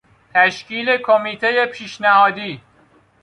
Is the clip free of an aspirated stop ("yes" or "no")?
no